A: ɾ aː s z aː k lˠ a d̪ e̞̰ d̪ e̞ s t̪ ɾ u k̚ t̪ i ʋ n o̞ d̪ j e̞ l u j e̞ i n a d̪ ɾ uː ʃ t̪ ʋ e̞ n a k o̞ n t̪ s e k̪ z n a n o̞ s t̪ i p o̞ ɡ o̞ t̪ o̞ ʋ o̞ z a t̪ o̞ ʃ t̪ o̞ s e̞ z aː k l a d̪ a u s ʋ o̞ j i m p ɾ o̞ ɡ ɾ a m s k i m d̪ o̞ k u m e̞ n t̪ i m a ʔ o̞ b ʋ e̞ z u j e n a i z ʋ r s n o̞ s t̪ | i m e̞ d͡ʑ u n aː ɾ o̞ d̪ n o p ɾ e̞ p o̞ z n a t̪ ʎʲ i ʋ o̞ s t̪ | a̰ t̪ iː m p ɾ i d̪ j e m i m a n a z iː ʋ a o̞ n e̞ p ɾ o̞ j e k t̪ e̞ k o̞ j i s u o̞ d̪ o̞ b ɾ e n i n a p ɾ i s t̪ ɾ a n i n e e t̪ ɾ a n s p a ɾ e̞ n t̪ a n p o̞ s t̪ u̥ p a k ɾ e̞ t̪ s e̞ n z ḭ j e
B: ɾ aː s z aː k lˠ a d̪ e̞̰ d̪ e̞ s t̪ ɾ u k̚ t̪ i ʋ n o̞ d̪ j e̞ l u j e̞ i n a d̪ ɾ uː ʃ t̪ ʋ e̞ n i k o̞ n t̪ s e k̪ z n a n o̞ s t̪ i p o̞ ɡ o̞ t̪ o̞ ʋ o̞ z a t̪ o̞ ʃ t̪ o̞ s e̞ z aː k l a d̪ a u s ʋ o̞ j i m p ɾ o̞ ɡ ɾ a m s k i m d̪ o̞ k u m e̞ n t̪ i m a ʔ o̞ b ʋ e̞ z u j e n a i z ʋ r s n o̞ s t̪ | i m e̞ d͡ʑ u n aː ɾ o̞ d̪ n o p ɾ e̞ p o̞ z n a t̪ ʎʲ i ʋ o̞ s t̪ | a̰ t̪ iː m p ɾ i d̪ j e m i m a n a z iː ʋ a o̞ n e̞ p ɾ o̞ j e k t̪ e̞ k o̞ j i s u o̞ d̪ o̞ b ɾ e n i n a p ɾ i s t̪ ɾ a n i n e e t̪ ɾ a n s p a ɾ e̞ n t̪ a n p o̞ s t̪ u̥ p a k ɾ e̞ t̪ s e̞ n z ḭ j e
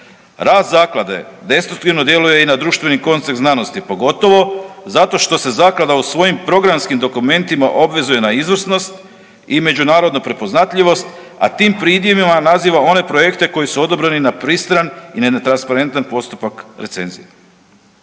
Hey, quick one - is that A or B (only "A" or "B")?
B